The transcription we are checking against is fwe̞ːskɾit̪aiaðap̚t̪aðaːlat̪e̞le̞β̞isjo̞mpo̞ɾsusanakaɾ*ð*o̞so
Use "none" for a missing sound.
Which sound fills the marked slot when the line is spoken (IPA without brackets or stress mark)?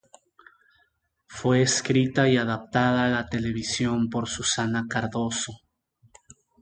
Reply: ð